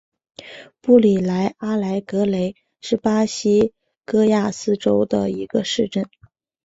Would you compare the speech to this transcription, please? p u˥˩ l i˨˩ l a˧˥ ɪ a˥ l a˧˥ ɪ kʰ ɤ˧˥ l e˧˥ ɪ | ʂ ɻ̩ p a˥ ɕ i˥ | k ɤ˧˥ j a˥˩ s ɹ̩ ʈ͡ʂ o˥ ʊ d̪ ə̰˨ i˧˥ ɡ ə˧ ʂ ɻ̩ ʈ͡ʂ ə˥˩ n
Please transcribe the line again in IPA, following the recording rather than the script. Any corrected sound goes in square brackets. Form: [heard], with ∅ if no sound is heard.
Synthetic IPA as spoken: p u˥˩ l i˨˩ l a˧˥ ɪ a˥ l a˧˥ ɪ [k] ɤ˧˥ l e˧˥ ɪ | ʂ ɻ̩ p a˥ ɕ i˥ | k [ɤ˥] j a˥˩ s ɹ̩ ʈ͡ʂ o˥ ʊ d̪ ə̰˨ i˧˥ ɡ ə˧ ʂ ɻ̩ ʈ͡ʂ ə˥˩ n

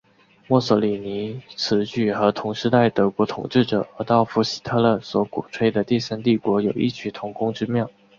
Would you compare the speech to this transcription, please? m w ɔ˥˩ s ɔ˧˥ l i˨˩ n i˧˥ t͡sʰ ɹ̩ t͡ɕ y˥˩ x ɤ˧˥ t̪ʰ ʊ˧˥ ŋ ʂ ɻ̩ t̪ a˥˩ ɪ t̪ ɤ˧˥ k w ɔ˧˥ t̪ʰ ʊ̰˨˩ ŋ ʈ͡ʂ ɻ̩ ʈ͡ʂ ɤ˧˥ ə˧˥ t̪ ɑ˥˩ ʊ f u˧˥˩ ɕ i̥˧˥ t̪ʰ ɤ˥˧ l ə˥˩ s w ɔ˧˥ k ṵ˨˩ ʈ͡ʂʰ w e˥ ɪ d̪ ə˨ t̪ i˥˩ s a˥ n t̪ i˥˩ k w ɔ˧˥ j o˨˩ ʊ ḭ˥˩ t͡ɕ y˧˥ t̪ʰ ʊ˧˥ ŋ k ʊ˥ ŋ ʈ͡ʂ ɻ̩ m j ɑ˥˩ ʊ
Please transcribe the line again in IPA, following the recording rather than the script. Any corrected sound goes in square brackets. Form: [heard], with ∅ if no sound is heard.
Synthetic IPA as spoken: m w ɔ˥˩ s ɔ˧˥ l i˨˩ n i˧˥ t͡sʰ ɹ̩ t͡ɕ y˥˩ x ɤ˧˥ t̪ʰ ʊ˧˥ ŋ ʂ ɻ̩ t̪ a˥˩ ɪ t̪ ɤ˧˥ k w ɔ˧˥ t̪ʰ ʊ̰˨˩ ŋ ʈ͡ʂ ɻ̩ ʈ͡ʂ [ɤ˨˩] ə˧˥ t̪ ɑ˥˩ ʊ f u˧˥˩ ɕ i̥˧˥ t̪ʰ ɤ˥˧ l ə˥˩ s w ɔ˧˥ k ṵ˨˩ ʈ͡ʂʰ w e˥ ɪ d̪ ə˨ t̪ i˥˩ s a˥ n t̪ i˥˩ k w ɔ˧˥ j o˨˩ ʊ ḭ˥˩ [t͡ɕʰ] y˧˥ t̪ʰ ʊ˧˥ ŋ k ʊ˥ ŋ ʈ͡ʂ ɻ̩ m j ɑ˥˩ ʊ

